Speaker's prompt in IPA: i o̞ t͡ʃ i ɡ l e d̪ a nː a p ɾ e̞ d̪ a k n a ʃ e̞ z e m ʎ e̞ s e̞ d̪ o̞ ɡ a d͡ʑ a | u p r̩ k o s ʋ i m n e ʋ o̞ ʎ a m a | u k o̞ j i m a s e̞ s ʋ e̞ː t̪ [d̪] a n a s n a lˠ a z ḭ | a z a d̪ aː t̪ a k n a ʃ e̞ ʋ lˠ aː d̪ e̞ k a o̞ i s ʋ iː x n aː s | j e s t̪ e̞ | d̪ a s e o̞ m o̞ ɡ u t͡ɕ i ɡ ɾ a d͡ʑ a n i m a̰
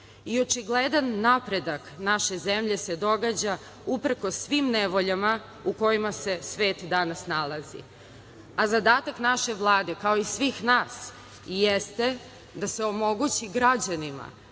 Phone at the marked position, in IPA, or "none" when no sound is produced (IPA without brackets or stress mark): d̪